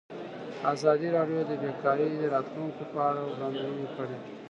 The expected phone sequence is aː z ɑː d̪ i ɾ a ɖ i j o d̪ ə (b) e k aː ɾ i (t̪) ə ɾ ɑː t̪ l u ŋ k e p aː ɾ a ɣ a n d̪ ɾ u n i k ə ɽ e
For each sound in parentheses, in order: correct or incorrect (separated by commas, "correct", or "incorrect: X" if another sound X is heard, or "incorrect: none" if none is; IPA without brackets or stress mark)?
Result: correct, incorrect: d̪